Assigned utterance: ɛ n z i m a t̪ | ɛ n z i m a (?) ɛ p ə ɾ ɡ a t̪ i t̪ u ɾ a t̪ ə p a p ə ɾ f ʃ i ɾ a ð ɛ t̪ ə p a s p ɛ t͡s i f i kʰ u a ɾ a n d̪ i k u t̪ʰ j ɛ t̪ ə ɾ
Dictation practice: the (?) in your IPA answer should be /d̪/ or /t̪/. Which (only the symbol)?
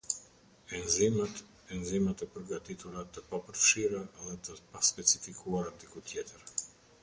t̪